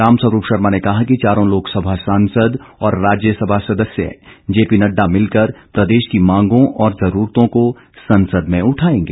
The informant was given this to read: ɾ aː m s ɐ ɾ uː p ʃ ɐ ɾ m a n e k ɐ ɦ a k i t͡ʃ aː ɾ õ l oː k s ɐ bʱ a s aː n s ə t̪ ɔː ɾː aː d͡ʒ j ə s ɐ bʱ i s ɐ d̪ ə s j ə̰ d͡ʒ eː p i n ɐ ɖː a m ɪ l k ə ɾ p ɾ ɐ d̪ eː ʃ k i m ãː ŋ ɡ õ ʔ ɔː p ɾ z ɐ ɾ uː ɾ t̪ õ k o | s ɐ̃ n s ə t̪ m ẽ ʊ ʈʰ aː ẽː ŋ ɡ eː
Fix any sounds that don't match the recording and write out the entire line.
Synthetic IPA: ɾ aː m s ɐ ɾ uː p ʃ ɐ ɾ m a n e k ɐ ɦ a k i t͡ʃ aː ɾ õ l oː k s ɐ bʱ a s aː n s ə d̪ ɔː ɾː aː d͡ʒ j ə s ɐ bʱ a s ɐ d̪ ə s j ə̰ d͡ʒ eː p i n ɐ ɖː a m ɪ l k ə ɾ p ɾ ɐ d̪ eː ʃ k i m ãː ŋ ɡ õ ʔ ɔː ɾ z ɐ ɾ uː ɾ t̪ õ k o | s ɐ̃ n s ə d̪ m ẽ ʊ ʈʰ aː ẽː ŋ ɡ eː